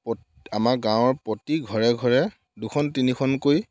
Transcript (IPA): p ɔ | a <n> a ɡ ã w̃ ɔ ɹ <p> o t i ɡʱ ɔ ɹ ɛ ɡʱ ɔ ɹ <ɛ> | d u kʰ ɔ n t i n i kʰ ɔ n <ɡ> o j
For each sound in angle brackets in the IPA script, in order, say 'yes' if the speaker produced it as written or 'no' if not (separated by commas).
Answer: no, yes, yes, no